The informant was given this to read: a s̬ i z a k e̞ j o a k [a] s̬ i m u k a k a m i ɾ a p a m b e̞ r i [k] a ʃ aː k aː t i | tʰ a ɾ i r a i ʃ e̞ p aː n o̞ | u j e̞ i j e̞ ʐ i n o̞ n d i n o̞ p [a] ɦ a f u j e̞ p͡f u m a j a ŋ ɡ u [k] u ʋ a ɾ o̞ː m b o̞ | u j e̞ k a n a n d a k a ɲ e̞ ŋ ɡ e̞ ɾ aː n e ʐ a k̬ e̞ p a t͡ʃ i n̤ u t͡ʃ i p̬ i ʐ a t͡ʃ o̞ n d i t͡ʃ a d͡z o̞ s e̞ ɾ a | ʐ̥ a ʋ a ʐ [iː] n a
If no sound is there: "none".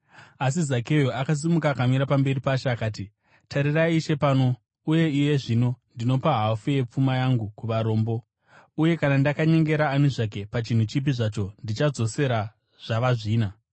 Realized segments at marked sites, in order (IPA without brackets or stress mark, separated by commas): a, p, a, k, iː